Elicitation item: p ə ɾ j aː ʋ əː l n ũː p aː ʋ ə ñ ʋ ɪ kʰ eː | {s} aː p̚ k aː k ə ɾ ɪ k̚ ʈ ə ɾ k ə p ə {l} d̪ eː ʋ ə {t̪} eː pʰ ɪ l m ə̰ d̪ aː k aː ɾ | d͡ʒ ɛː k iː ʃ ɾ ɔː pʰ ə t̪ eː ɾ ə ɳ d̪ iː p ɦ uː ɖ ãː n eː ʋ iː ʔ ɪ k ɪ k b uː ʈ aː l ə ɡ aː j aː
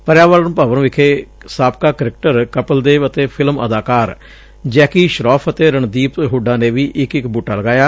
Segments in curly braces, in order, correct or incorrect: correct, correct, correct

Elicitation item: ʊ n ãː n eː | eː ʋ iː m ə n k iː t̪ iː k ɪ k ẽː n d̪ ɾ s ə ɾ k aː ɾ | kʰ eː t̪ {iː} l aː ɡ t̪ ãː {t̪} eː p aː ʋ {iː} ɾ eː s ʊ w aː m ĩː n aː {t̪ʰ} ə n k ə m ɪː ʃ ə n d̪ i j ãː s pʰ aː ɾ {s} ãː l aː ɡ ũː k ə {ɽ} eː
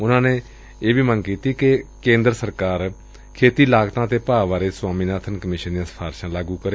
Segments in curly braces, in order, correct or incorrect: correct, correct, incorrect: aː, correct, incorrect: ʃ, incorrect: ɾ

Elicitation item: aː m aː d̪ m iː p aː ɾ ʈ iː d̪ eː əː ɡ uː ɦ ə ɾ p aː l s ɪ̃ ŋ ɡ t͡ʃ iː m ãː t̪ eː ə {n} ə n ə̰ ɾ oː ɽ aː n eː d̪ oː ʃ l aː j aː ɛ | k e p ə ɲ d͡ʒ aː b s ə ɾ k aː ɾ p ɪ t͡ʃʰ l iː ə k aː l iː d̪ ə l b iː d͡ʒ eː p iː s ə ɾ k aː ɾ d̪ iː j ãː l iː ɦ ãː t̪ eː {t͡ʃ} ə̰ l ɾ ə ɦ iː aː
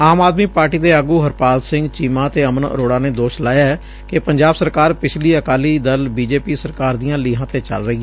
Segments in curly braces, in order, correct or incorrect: incorrect: m, correct

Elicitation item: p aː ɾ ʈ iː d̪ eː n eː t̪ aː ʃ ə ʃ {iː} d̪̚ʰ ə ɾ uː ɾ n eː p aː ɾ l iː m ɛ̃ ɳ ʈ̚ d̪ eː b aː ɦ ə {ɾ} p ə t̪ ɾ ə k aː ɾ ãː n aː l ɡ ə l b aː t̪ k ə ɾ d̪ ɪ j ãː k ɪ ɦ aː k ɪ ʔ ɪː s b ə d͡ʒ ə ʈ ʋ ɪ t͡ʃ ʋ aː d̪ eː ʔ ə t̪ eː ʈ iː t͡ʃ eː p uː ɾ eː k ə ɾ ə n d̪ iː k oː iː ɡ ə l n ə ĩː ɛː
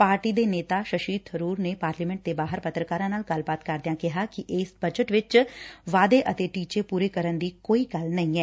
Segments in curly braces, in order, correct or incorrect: correct, correct

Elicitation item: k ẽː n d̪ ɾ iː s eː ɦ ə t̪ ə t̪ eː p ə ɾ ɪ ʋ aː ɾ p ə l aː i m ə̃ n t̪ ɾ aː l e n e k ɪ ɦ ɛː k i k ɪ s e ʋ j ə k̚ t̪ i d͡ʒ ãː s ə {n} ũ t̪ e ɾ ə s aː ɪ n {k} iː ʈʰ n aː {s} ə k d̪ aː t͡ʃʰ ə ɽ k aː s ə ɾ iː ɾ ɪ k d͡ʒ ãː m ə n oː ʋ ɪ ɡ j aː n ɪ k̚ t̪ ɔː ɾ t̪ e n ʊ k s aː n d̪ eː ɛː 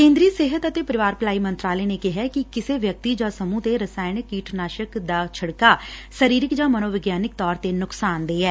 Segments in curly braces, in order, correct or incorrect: incorrect: m, correct, incorrect: ʃ

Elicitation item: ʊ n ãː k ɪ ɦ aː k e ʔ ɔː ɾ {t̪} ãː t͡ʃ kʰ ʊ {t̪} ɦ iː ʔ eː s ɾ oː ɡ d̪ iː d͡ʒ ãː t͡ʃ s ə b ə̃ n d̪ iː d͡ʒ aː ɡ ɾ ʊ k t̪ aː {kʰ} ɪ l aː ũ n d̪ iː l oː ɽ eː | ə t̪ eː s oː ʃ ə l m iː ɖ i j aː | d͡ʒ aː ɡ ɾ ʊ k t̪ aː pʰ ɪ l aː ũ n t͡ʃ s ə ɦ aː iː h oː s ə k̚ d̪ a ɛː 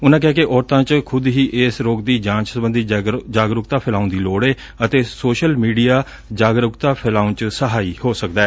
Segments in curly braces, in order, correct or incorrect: correct, incorrect: d̪, incorrect: pʰ

